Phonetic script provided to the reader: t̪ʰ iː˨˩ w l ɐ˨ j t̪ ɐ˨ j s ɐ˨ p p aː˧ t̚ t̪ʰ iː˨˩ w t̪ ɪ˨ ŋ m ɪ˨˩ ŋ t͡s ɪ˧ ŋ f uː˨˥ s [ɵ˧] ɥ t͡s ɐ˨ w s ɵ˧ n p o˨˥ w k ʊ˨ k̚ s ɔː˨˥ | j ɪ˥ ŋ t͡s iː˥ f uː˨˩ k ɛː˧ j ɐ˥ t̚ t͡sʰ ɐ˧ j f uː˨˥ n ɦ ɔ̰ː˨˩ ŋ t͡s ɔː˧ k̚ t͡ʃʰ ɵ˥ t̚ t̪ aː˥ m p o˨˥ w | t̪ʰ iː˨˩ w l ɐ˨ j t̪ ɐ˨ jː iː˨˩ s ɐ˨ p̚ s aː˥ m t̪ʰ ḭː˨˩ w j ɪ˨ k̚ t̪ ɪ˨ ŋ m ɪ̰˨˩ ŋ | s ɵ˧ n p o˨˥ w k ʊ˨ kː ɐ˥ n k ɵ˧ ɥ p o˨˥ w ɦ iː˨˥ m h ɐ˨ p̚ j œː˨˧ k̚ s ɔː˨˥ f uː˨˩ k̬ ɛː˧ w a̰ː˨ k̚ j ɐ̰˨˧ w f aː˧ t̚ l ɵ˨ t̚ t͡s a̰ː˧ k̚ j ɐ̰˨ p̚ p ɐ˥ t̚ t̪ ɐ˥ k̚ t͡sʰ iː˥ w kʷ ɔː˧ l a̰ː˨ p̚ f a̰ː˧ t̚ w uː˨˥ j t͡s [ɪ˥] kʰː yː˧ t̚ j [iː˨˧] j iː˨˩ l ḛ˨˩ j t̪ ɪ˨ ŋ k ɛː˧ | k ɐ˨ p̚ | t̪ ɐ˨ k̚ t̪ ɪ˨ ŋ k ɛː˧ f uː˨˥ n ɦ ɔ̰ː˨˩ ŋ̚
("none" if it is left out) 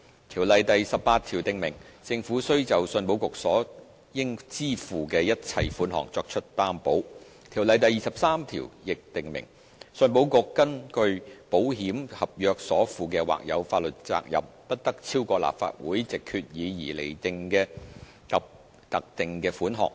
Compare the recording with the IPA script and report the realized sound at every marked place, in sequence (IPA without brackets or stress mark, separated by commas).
ɵ˥, ɪ˨, iː˨˧